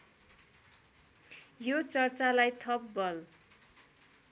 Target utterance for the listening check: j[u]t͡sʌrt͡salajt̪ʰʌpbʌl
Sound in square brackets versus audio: incorrect: o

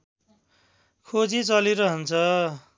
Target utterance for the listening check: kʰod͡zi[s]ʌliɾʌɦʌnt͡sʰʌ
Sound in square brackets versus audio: incorrect: t͡s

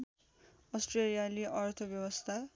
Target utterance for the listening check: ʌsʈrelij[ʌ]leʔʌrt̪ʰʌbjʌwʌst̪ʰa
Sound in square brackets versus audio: incorrect: a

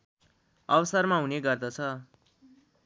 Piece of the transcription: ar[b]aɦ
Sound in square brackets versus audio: incorrect: m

